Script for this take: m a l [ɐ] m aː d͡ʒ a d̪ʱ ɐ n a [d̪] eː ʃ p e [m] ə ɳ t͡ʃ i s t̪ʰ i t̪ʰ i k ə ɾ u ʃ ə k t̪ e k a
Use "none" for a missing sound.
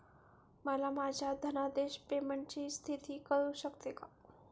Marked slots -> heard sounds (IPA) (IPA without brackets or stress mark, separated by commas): a, d̪, m